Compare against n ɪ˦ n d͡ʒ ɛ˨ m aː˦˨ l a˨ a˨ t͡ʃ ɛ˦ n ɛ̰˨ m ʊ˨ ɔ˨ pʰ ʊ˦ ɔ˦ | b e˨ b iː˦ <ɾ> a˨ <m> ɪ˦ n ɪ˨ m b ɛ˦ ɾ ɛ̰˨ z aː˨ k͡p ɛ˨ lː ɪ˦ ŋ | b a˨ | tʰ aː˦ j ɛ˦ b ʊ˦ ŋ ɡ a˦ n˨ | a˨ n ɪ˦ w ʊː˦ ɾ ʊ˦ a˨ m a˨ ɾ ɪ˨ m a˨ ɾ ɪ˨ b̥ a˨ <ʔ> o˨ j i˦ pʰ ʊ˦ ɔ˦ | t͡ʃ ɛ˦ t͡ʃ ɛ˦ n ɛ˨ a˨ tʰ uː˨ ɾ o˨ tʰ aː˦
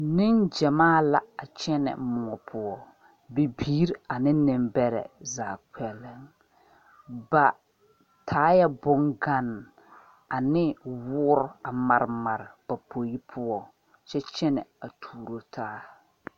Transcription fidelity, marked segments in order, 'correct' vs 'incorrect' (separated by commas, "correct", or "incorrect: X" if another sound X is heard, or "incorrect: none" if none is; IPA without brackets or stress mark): correct, incorrect: n, incorrect: p